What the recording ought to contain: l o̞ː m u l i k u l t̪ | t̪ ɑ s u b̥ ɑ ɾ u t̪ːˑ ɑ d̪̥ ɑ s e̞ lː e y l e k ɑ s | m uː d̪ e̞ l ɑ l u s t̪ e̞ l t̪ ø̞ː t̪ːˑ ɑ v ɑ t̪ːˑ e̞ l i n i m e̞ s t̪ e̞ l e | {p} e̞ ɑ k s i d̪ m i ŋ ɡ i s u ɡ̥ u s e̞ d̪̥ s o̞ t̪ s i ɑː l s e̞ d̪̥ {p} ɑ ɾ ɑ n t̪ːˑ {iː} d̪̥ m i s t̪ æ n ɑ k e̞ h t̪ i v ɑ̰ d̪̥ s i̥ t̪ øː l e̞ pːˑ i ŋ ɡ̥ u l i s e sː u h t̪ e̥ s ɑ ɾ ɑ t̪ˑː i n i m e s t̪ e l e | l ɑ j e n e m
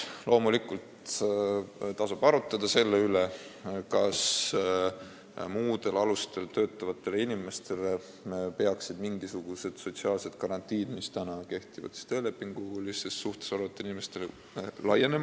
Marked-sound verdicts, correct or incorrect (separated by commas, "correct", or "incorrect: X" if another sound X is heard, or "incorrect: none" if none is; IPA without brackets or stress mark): correct, incorrect: k, correct